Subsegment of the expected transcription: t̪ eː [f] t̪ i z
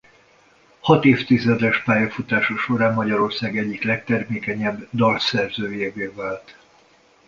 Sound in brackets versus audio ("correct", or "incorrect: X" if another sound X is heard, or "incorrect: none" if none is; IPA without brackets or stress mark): correct